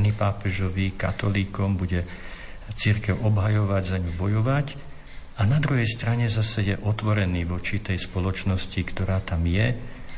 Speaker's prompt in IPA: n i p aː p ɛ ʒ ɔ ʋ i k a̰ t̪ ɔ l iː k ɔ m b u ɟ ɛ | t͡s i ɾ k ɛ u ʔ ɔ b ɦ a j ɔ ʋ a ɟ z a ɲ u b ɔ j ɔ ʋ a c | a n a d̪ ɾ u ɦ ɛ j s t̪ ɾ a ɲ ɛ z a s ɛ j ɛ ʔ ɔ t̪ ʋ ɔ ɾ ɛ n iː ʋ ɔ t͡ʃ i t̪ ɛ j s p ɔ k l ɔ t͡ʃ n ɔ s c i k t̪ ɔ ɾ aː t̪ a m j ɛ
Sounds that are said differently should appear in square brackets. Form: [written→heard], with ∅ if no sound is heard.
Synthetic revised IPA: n i p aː p ɛ ʒ ɔ ʋ i k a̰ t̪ ɔ l iː k ɔ m b u ɟ ɛ | t͡s i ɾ k ɛ [u→ʊ] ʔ ɔ b ɦ a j ɔ ʋ a ɟ z a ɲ u b ɔ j ɔ ʋ a c | a n a d̪ ɾ u ɦ ɛ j s t̪ ɾ a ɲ ɛ z a s ɛ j ɛ ʔ ɔ t̪ ʋ ɔ ɾ ɛ n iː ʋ ɔ t͡ʃ i t̪ ɛ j s p ɔ [k→∅] l ɔ t͡ʃ n ɔ s c i k t̪ ɔ ɾ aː t̪ a m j ɛ